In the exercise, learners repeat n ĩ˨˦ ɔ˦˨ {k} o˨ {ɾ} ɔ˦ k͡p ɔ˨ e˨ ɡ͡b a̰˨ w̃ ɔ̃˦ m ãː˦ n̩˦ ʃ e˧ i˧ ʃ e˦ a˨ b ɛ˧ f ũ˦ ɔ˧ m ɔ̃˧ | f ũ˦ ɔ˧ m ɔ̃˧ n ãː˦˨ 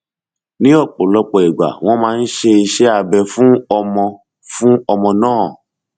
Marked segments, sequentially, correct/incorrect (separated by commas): incorrect, incorrect